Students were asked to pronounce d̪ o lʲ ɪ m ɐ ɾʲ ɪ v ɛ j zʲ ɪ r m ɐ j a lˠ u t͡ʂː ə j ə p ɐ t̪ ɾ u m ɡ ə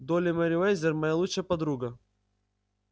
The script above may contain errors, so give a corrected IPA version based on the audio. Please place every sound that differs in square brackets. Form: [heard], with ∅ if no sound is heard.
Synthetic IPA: d̪ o lʲ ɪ m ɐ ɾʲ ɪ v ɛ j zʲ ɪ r m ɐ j a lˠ u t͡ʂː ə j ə p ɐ [d̪] ɾ u [∅] ɡ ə